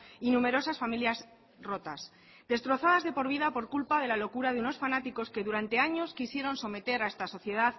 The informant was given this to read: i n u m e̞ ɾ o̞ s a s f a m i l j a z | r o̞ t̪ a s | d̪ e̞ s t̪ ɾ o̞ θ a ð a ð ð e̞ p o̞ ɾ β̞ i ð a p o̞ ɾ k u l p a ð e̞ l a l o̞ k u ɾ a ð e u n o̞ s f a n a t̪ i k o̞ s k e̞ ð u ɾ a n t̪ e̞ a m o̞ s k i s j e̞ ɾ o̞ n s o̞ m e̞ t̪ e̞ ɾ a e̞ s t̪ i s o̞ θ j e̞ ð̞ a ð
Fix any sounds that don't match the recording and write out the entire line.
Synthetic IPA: i n u m e̞ ɾ o̞ s a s f a m i l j a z | r o̞ t̪ a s | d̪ e̞ s t̪ ɾ o̞ θ a ð a z ð e̞ p o̞ ɾ β̞ i ð a p o̞ ɾ k u l p a ð e̞ l a l o̞ k u ɾ a ð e u n o̞ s f a n a t̪ i k o̞ s k e̞ ð u ɾ a n t̪ e̞ a ɲ o̞ s k i s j e̞ ɾ o̞ n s o̞ m e̞ t̪ e̞ ɾ a e̞ s t̪ a s o̞ θ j e̞ ð̞ a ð